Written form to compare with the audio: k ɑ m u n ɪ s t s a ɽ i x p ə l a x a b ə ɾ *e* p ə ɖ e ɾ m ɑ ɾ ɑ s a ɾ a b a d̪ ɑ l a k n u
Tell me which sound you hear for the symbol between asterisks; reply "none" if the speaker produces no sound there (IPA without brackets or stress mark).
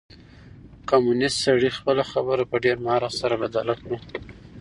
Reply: a